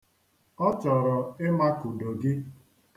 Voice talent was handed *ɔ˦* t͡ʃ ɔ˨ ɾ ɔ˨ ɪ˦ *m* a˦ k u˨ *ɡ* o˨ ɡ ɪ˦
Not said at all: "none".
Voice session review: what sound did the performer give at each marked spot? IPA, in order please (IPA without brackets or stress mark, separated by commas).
ɔ˦, m, d